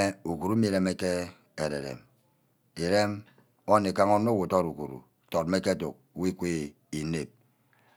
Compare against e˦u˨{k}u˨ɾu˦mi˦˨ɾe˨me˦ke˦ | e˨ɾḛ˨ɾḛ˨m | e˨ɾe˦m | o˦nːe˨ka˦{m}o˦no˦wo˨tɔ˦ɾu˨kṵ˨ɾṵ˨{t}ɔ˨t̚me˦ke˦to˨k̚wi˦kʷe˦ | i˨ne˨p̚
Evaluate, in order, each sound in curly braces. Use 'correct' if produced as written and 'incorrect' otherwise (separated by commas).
correct, incorrect, correct